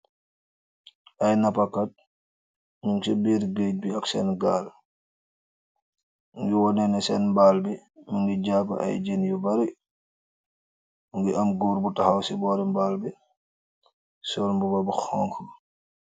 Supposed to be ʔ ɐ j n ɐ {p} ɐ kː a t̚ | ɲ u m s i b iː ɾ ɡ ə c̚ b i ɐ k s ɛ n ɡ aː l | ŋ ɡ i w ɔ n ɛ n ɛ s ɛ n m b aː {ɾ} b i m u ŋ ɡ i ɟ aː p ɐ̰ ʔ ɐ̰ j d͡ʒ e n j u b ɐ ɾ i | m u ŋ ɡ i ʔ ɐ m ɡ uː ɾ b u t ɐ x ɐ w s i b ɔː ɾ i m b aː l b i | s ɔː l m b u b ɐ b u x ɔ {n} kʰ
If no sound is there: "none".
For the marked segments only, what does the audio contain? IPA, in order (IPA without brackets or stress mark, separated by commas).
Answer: p, l, ŋ